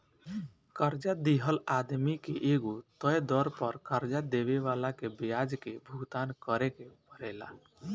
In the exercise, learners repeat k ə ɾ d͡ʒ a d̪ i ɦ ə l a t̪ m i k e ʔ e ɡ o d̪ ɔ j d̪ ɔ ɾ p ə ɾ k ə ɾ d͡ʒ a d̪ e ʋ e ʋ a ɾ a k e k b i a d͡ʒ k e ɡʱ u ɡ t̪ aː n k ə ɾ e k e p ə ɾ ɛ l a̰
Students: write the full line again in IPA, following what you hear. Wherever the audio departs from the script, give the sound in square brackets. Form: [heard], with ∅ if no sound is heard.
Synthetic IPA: k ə ɾ d͡ʒ a d̪ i ɦ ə l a [d̪] m i k e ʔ e ɡ o [t̪] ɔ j d̪ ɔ ɾ p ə ɾ k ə ɾ d͡ʒ a d̪ e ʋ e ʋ a [l] a k e [∅] b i a d͡ʒ k e [bʱ] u ɡ t̪ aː n k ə ɾ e k e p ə ɾ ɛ l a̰